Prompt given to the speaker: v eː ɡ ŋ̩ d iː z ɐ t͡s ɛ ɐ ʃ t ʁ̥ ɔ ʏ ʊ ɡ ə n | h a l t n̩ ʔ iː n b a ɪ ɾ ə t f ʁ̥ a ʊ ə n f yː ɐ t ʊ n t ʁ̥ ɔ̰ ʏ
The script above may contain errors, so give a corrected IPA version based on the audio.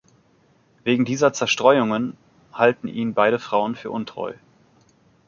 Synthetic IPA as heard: v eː ɡ ŋ̩ d iː z ɐ t͡s ɛ ɐ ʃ t ʁ̥ ɔ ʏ ʊ ŋ ə n | h a l t n̩ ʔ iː n b a ɪ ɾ ə f ʁ̥ a ʊ ə n f yː ɐ ʔ ʊ n t ʁ̥ ɔ̰ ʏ